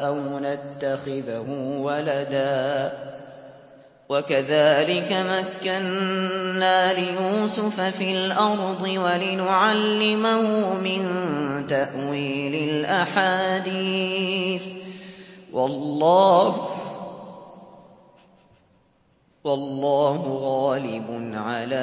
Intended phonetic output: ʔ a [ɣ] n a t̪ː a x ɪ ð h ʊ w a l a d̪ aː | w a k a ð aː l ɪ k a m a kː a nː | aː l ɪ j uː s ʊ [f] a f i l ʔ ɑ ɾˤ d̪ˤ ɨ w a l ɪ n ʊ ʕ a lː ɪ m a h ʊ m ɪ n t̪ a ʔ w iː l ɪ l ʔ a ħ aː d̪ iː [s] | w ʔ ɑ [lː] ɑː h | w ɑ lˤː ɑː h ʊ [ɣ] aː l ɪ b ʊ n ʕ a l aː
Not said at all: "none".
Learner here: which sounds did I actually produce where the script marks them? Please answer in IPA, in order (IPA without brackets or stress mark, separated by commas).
w, f, θ, lː, ɣ